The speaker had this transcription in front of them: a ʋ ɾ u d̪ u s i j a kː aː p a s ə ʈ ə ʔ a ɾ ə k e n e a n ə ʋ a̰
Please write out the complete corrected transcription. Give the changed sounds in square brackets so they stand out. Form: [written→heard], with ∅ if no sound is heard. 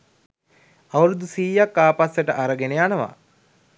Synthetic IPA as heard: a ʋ ɾ u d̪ u s [i→iː] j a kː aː p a s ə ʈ ə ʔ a ɾ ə [k→ɡ] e n e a n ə ʋ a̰